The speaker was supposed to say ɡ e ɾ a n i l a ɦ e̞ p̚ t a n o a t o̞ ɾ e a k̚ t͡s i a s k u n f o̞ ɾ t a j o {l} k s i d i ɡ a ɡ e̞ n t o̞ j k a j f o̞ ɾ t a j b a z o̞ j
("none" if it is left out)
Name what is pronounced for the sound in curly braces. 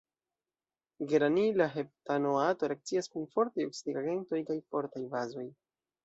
none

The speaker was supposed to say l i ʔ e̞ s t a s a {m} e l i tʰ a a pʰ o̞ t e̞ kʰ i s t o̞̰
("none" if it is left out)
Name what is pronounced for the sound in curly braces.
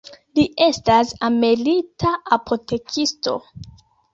m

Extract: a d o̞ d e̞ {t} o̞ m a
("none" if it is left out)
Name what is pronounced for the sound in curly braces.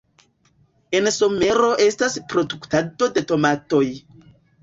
t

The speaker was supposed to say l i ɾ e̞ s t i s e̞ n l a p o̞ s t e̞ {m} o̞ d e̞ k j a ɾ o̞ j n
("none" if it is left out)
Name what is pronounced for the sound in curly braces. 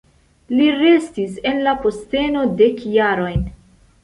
n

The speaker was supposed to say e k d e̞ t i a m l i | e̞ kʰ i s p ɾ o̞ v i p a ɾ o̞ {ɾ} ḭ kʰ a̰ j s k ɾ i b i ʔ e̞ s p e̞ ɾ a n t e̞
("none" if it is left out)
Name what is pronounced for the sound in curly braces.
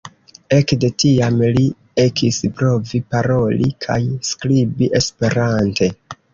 l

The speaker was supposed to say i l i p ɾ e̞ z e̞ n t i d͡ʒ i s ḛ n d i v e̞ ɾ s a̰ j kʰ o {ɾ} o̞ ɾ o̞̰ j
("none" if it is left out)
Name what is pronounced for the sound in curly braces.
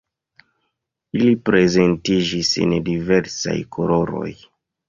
l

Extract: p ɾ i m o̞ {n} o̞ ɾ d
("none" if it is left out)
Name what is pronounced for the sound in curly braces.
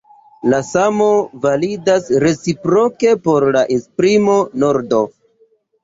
n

